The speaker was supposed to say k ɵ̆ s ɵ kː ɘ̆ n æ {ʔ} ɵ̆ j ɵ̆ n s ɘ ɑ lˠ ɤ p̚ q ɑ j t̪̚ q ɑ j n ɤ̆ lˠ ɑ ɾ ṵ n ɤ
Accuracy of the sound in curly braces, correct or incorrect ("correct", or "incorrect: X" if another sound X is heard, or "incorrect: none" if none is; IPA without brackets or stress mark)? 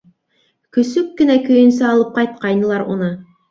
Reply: incorrect: k